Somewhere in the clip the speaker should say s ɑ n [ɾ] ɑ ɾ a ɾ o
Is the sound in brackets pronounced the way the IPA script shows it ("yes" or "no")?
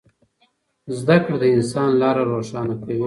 no